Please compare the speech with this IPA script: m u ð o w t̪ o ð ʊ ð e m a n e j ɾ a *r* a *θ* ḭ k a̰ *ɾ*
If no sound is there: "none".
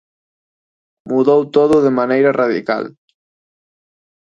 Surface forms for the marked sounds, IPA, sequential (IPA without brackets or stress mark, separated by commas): r, ð, l